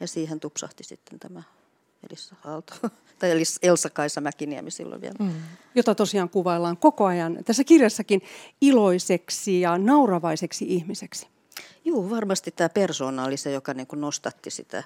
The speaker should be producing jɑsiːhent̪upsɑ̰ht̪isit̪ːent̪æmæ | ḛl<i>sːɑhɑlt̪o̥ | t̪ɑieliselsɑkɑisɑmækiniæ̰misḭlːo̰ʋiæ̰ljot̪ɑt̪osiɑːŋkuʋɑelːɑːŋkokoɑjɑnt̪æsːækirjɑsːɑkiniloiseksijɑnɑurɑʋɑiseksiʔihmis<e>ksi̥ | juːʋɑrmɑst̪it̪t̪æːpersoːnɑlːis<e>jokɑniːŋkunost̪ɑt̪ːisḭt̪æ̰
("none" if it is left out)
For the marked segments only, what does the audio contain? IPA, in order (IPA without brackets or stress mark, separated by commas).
i, e, e